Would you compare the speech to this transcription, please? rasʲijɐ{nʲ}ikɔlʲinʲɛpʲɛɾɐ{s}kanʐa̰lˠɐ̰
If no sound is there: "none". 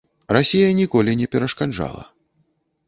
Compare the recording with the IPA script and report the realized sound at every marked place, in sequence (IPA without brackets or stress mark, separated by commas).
nʲ, ʂ